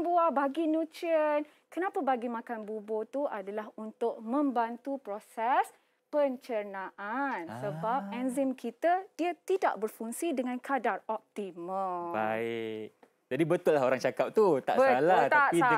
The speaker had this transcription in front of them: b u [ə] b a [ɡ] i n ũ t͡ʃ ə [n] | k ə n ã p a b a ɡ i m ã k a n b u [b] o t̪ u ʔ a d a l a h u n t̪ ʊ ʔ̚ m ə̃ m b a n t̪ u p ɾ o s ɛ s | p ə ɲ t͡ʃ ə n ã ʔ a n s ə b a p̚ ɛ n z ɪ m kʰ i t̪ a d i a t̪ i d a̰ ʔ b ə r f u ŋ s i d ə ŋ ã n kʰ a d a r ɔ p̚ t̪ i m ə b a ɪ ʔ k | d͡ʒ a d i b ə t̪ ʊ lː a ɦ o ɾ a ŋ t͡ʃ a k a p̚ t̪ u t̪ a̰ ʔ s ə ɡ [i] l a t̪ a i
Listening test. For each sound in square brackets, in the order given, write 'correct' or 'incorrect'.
incorrect, correct, correct, correct, incorrect

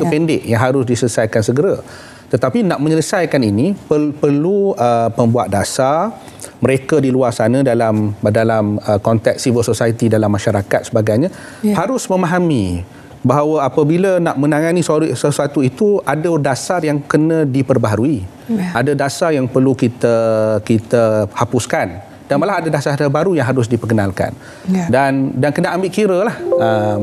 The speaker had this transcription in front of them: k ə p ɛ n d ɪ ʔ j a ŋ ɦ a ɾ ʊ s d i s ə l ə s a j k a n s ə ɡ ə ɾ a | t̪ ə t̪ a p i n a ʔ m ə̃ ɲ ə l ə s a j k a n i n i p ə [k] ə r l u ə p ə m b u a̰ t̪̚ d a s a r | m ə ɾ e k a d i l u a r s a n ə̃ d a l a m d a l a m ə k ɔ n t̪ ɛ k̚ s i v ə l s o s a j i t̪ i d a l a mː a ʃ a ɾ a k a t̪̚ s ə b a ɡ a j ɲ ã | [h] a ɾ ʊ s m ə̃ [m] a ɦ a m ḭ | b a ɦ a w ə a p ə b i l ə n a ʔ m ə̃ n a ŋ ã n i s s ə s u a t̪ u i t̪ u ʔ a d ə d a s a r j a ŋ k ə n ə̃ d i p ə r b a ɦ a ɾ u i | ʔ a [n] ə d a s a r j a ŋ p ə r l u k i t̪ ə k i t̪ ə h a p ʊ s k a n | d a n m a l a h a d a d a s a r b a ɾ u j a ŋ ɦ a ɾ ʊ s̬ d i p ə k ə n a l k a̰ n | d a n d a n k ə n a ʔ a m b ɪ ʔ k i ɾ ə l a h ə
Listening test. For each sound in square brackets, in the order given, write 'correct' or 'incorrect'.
incorrect, correct, correct, incorrect

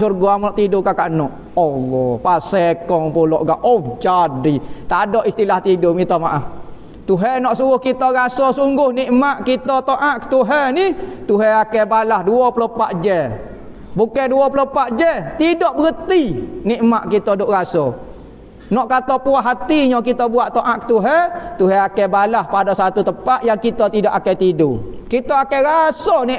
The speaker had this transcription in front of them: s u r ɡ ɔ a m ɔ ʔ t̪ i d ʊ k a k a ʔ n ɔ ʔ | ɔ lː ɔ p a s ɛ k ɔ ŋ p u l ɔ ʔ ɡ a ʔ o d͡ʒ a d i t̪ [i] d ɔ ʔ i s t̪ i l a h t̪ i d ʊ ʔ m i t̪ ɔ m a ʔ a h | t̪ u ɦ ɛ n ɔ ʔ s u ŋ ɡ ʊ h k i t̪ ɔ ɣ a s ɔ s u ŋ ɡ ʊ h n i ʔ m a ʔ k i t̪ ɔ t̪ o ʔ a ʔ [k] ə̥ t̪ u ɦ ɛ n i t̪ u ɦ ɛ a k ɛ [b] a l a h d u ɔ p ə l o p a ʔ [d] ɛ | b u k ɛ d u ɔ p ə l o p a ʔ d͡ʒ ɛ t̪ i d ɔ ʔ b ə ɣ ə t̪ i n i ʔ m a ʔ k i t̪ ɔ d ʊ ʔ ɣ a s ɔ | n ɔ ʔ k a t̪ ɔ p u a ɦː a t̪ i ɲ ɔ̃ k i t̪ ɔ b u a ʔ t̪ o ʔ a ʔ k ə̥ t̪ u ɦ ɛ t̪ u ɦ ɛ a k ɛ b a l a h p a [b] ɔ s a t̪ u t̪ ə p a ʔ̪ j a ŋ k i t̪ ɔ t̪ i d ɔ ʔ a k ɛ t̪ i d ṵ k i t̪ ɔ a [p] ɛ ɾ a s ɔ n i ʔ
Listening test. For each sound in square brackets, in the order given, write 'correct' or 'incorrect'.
incorrect, correct, correct, incorrect, incorrect, incorrect

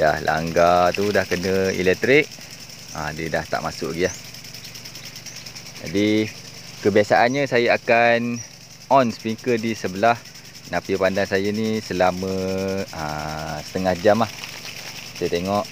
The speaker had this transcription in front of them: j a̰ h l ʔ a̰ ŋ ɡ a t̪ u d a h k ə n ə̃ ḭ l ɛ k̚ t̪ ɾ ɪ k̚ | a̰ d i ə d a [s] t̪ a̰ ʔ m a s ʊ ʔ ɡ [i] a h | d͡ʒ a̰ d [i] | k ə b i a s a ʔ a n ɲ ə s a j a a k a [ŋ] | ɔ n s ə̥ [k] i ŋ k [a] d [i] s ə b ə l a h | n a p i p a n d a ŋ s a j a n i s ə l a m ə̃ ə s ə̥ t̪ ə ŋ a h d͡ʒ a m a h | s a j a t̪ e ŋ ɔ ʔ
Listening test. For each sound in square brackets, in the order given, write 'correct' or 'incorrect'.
incorrect, correct, correct, incorrect, incorrect, incorrect, correct

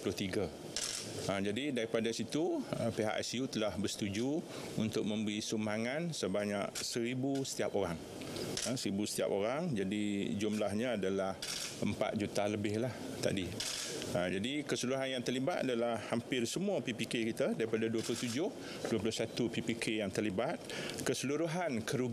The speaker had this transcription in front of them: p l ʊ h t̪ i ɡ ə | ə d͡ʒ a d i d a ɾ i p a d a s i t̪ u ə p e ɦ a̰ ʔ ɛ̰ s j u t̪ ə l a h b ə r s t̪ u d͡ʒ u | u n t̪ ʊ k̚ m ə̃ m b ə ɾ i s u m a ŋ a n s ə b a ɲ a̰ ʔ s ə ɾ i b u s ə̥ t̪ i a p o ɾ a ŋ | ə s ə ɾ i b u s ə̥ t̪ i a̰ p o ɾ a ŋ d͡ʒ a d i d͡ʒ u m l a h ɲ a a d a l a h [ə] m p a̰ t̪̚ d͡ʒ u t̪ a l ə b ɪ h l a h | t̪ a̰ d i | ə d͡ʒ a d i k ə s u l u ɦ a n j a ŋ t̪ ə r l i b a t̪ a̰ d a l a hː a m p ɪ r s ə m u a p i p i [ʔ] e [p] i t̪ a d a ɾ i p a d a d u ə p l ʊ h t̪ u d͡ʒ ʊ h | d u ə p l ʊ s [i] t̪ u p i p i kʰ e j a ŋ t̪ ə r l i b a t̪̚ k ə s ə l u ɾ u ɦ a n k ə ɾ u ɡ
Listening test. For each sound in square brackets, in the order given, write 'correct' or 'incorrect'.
correct, incorrect, incorrect, incorrect

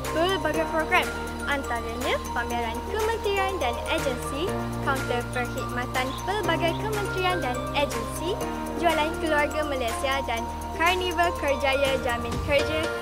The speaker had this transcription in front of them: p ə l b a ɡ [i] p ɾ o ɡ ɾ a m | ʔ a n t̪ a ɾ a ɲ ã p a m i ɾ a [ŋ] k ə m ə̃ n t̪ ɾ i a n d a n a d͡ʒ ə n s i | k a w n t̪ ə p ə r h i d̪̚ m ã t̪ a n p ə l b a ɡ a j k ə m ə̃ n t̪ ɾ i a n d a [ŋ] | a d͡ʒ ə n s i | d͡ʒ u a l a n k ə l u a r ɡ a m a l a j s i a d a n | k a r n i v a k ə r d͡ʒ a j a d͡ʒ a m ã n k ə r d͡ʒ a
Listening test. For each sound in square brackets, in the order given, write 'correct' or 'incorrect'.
incorrect, incorrect, incorrect

